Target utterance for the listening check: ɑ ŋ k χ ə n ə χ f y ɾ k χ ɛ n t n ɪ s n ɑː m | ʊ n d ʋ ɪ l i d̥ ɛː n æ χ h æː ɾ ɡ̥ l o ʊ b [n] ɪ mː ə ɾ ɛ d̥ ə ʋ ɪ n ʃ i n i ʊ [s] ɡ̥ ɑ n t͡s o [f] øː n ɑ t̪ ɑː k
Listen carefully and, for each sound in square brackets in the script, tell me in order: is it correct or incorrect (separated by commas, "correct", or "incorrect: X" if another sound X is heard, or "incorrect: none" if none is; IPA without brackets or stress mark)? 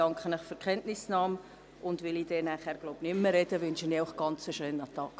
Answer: correct, incorrect: χ, incorrect: ʃ